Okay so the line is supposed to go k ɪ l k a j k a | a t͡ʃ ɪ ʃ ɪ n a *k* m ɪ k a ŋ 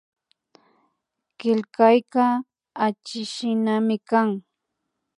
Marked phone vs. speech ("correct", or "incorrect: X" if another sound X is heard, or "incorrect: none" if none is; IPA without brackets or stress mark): incorrect: none